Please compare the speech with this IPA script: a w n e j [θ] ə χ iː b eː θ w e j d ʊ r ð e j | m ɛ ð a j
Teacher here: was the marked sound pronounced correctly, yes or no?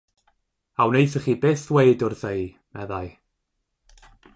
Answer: yes